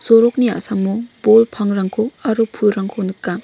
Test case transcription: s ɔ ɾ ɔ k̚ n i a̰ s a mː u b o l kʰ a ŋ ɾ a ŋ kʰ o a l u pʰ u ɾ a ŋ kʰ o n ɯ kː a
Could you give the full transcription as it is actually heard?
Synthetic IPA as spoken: s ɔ ɾ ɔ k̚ n i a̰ s a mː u b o l pʰ a ŋ ɾ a ŋ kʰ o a ɾ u pʰ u ɾ a ŋ kʰ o n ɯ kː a